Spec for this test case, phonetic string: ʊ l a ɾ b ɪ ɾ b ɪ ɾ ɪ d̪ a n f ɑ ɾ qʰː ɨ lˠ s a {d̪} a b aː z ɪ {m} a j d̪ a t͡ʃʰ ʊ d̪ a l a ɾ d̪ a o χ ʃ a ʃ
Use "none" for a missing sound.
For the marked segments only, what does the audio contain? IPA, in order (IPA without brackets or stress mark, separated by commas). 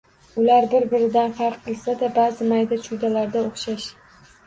d̪, m